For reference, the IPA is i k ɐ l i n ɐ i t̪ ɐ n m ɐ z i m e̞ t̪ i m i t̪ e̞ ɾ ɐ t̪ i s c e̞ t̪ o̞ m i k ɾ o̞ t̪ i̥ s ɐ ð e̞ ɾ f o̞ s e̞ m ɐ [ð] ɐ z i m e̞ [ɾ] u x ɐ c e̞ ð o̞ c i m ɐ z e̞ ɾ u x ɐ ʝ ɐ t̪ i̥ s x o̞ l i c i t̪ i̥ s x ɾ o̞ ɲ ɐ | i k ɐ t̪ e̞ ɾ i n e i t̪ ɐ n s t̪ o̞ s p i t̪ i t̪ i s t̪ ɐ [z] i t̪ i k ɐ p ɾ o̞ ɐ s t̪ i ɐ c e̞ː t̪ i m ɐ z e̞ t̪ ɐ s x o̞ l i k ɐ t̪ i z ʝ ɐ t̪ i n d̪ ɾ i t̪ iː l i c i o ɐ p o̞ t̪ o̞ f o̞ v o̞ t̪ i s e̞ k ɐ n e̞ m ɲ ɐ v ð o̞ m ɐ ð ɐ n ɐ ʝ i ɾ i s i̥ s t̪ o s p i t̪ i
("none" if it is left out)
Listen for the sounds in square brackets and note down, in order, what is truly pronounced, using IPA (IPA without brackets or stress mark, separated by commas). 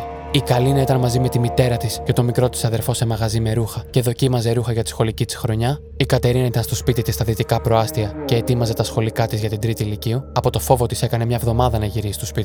ɣ, ɾ, ð